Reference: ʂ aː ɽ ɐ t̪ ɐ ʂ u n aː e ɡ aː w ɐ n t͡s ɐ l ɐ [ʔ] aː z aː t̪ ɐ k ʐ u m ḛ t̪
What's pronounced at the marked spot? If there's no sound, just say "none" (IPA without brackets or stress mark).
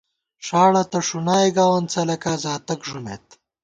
k